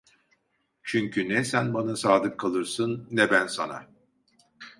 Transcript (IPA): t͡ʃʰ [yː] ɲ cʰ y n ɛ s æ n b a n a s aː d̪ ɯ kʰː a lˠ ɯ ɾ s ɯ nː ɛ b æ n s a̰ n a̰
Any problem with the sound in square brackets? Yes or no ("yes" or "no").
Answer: yes